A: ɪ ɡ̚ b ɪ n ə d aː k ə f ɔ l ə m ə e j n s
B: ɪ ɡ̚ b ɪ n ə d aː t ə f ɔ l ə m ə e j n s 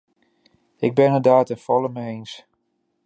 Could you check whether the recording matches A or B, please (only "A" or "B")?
B